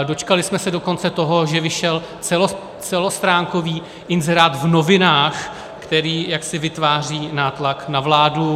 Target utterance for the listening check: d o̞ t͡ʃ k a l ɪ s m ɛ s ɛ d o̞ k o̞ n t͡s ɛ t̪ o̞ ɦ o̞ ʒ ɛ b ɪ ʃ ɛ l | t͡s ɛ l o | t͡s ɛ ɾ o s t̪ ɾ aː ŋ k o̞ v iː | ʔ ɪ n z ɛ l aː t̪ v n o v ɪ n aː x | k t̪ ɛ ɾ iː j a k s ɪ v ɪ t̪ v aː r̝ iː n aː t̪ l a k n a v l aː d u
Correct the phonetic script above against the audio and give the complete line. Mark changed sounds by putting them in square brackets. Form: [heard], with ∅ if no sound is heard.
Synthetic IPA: d o̞ t͡ʃ k a l ɪ s m ɛ s ɛ d o̞ k o̞ n t͡s ɛ t̪ o̞ ɦ o̞ ʒ ɛ [v] ɪ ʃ ɛ l | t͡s ɛ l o | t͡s ɛ [l] o s t̪ ɾ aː ŋ k o̞ v iː | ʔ ɪ n z ɛ [ɾ] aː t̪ v n o v ɪ n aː x | k t̪ ɛ ɾ iː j a k s ɪ v ɪ t̪ v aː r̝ iː n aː t̪ l a k n a v l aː d u